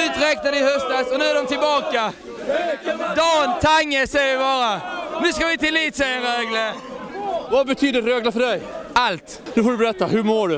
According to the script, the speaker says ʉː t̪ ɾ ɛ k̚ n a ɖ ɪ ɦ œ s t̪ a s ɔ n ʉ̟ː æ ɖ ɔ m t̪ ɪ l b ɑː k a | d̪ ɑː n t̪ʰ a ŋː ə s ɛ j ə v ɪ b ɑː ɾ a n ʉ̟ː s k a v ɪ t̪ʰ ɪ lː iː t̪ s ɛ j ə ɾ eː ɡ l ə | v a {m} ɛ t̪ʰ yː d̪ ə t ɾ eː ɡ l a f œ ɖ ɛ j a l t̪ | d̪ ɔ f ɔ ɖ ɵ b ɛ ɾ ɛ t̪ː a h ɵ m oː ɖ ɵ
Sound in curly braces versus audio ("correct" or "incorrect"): incorrect